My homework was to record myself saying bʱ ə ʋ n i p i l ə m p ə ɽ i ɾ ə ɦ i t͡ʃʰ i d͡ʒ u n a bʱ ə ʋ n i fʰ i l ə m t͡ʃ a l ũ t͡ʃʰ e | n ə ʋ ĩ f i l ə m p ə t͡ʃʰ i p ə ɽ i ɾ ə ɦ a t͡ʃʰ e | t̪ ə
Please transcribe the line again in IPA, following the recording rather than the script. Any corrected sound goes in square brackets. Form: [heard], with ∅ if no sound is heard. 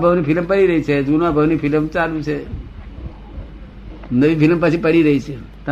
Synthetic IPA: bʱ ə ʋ n i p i l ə m p ə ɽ i ɾ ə ɦ i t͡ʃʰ [e] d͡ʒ u n a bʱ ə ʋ n i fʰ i l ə m t͡ʃ a l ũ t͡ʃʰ e | n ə ʋ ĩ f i l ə m p ə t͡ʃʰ i p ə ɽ i ɾ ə ɦ [i] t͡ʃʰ e | t̪ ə